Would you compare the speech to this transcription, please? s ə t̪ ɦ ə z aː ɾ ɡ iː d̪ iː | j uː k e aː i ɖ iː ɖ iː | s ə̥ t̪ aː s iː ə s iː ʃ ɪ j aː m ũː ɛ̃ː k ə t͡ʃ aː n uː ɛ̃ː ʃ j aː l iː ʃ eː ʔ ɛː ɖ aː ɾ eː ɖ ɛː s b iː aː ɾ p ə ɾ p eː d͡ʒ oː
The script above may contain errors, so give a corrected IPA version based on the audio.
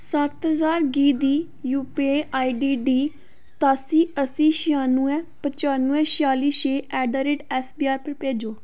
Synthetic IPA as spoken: s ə t̪ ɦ ə z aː ɾ ɡ iː d̪ iː | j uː p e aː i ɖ iː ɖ iː | s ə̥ t̪ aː s iː ə s iː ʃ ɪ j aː n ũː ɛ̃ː p ə t͡ʃ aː n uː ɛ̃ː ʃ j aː l iː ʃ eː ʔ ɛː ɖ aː ɾ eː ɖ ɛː s b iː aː ɾ p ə ɾ p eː d͡ʒ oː